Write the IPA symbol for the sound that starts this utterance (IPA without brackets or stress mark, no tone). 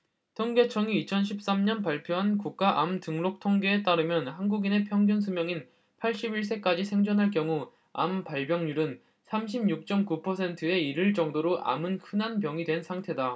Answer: tʰ